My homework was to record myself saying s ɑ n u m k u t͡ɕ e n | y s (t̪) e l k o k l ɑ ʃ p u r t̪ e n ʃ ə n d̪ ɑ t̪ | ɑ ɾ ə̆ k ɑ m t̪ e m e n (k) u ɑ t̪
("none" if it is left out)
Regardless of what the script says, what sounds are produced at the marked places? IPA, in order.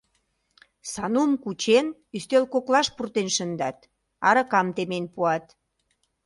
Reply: t̪, p

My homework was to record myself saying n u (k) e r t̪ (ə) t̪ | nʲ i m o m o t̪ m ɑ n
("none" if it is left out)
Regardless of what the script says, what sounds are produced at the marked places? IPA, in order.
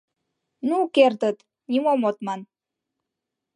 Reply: k, ə

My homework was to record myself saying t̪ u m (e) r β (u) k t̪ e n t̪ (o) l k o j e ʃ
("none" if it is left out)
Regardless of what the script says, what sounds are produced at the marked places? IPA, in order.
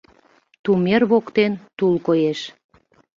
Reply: e, o, u

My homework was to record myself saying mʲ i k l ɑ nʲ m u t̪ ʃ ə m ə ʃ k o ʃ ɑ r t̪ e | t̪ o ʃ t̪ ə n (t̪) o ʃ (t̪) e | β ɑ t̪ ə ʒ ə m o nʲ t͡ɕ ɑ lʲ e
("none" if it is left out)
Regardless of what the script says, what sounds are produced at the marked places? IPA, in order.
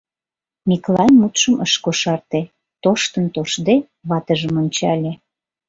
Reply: t̪, d̪

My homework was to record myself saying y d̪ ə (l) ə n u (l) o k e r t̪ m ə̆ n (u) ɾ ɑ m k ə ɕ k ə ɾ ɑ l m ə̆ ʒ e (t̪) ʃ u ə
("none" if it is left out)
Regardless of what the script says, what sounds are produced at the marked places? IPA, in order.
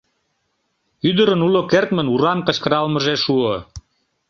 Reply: ɾ, l, u, none

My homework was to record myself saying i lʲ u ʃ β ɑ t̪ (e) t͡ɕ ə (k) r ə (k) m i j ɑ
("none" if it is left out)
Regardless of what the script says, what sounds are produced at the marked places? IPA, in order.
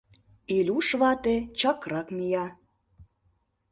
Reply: e, k, k

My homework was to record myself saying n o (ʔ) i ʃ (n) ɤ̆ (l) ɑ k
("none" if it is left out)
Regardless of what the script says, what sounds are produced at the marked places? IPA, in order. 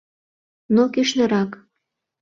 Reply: k, n, ɾ

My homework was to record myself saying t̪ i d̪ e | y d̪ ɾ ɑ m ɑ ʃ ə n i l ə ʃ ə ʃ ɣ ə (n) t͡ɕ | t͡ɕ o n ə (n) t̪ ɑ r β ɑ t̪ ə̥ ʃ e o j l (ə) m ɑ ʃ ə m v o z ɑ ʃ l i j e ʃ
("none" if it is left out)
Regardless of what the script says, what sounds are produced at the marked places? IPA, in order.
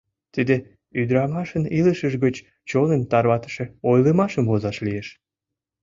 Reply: none, n, ə

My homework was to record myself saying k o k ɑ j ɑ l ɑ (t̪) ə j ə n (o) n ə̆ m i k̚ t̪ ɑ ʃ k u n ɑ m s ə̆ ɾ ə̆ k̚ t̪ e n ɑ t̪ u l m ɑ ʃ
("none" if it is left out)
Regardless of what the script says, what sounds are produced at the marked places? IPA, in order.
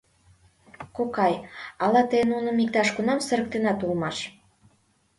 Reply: t̪, u

